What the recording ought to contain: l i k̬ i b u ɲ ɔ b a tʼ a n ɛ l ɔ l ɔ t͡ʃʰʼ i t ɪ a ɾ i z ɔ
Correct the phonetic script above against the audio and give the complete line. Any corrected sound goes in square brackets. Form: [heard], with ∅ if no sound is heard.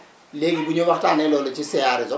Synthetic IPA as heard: l [e] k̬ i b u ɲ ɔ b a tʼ a n ɛ l ɔ l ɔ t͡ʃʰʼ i [s] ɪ a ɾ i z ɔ